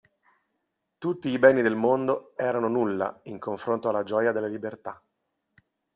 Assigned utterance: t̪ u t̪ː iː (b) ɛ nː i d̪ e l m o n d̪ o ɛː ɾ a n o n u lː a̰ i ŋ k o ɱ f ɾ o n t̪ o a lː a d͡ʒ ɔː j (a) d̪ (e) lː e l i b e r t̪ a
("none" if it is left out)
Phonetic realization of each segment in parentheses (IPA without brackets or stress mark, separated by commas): b, a, e